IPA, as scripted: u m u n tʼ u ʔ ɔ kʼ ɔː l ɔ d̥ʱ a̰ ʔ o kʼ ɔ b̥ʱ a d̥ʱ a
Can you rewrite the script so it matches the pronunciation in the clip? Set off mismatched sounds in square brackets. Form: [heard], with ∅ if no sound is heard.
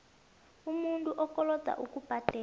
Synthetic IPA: u m u n tʼ u ʔ ɔ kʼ [ɔ] l ɔ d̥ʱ a̰ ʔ [u] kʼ [u] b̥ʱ a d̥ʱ [ɛ]